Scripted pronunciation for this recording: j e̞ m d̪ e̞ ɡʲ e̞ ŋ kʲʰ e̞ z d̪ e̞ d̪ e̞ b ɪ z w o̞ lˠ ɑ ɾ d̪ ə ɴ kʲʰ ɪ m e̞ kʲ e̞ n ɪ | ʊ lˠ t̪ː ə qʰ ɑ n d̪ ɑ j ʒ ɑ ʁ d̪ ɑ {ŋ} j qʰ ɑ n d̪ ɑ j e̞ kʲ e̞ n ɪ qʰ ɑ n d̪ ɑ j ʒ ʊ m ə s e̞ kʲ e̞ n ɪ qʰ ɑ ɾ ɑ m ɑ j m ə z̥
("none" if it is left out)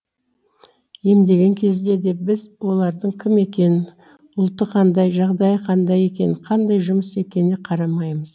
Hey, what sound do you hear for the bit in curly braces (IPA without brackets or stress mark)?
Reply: none